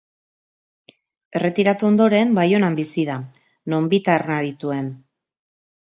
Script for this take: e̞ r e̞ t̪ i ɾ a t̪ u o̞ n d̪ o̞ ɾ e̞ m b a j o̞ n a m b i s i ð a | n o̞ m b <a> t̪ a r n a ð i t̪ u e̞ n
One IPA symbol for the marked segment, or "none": i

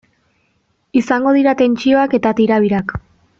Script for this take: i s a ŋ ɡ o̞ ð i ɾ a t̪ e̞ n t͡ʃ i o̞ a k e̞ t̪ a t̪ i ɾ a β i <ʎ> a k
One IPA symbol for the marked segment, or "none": ɾ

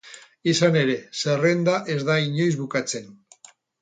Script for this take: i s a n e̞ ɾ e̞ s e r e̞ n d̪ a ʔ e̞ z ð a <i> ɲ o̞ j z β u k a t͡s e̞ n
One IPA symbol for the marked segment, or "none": i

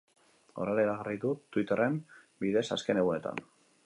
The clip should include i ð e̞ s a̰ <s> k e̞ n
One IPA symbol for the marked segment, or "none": s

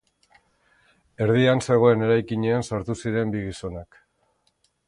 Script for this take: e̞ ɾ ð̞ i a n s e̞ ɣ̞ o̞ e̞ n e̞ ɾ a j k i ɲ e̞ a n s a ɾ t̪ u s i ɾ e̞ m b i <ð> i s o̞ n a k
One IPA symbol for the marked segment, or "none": ɣ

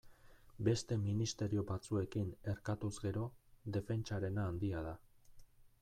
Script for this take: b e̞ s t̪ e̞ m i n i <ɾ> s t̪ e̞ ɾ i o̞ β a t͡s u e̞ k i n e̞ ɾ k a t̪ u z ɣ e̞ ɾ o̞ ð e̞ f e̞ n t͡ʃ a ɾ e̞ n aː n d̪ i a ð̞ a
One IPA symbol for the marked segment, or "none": none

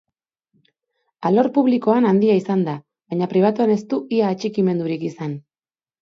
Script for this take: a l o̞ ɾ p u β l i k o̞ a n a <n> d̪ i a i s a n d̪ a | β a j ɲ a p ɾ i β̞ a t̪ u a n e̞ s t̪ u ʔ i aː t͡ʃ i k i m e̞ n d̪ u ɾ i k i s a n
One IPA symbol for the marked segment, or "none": n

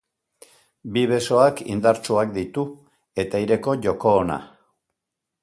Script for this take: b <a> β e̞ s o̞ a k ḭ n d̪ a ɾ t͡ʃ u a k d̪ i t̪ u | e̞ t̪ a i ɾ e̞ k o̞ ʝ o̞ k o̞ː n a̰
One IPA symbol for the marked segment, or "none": i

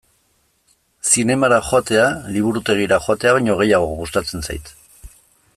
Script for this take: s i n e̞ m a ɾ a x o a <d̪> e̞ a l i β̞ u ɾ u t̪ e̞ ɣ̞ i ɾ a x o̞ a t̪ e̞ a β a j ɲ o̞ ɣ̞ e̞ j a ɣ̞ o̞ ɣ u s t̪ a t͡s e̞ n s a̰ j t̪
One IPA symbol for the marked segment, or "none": t̪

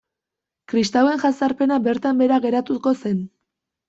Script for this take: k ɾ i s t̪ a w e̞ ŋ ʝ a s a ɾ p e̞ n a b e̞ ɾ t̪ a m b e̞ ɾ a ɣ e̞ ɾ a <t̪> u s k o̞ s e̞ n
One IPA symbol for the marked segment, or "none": t̪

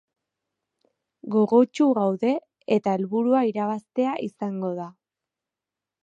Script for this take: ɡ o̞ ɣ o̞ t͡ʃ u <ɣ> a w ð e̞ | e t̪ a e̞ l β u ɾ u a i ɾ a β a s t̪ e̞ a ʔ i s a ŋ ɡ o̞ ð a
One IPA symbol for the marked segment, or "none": ɣ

